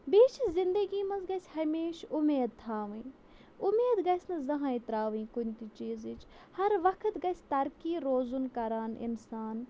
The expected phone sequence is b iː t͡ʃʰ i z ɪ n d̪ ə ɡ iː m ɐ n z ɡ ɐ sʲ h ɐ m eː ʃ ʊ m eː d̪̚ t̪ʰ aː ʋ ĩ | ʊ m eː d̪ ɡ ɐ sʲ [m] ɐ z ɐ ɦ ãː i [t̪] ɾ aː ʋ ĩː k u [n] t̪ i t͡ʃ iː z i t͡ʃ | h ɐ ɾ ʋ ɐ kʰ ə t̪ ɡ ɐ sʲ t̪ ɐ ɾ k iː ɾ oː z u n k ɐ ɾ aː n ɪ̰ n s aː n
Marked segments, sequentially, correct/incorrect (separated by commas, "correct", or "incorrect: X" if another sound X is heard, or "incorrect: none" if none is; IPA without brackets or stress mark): incorrect: n, correct, correct